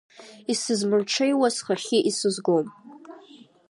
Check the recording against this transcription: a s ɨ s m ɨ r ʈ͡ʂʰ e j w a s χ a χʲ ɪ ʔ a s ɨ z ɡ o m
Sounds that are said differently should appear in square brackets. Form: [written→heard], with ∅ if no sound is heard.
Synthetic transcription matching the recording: [a→i] s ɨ [s→z] m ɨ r ʈ͡ʂʰ e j w a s χ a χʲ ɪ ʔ [a→i] s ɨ z ɡ o m

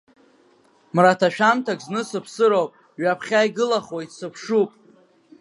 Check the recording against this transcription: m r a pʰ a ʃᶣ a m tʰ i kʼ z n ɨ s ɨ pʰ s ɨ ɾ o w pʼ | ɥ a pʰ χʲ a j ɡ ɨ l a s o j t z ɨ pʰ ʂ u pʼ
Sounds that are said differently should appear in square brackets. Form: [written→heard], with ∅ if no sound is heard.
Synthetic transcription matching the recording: m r a [pʰ→tʰ] a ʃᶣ a m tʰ [i→a] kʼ z n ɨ s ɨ pʰ s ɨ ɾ o w pʼ | ɥ a pʰ χʲ a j ɡ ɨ l a [s→χ] o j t [z→s] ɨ pʰ ʂ u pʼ

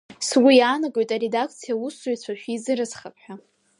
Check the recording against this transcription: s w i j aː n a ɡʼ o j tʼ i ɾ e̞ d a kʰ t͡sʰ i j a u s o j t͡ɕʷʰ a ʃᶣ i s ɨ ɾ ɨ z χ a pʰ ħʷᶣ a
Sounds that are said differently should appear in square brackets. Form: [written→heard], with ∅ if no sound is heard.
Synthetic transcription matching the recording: s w i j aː n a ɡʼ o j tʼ [i→a] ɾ e̞ d a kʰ t͡sʰ i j a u s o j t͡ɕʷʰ a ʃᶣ i [s→z] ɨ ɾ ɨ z χ a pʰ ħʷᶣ a

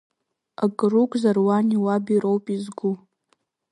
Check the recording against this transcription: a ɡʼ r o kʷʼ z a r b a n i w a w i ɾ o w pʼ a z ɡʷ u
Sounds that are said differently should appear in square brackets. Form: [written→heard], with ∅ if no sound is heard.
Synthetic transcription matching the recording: a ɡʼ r [o→u] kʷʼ z a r [b→w] a n i w a [w→b] i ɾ o w pʼ [a→i] z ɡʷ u

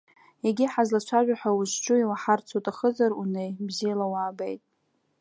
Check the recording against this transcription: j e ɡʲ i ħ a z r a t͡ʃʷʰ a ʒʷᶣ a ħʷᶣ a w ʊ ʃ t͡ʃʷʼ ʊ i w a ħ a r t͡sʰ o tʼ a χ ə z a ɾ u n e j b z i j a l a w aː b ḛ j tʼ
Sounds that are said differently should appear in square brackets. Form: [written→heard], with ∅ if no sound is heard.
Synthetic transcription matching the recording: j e ɡʲ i ħ a z [r→l] a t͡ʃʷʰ a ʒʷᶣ a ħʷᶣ a w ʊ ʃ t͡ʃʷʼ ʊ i w a ħ a r t͡sʰ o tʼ a χ ə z a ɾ u n e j b z i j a l a w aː b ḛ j tʼ

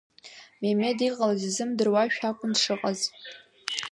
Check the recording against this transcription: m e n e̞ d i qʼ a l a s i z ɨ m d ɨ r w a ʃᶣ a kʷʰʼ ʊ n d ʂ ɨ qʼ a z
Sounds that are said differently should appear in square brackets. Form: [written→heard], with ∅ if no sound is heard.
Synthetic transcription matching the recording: m e [n→m] e̞ d i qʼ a l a [s→z] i z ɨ m d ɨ r w a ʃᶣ a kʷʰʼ ʊ n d ʂ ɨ qʼ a z

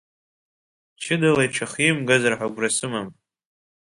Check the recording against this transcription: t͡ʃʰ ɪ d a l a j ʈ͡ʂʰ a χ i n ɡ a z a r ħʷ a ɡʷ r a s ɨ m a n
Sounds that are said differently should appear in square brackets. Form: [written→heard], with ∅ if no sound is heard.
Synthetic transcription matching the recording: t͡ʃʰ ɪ d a l a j ʈ͡ʂʰ a χ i [n→m] ɡ a z a r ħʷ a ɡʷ r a s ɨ m a [n→m]

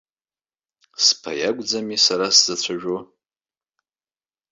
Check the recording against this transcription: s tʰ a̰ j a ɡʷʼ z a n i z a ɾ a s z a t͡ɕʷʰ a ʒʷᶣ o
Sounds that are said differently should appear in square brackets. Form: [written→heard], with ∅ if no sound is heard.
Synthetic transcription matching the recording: s [tʰ→pʰ] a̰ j a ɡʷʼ [z→d͡z] a [n→m] i [z→s] a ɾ a s z a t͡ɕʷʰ a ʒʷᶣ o

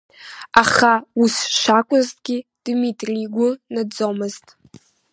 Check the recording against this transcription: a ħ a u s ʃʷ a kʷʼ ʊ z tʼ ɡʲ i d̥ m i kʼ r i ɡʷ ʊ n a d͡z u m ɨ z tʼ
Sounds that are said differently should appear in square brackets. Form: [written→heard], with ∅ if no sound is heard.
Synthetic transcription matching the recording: a [ħ→χ] a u s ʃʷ a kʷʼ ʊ z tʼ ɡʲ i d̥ m i [kʼ→tʼ] r i ɡʷ ʊ n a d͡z [u→o] m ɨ z tʼ

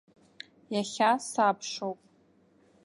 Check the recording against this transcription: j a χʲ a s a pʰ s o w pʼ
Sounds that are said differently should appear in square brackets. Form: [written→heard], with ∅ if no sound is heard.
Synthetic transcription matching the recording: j a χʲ a s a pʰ [s→ʂ] o w pʼ

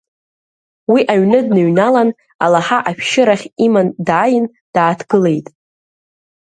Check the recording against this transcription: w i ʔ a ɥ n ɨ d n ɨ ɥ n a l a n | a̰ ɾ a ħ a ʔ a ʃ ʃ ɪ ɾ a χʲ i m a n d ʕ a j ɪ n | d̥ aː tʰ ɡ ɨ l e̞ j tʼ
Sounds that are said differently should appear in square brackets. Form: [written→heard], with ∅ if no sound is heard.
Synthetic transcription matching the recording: w i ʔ a ɥ n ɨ d n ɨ ɥ n a l a n | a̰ [ɾ→l] a ħ a ʔ a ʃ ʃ ɪ ɾ a χʲ i m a n d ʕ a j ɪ n | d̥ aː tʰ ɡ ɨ l e̞ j tʼ

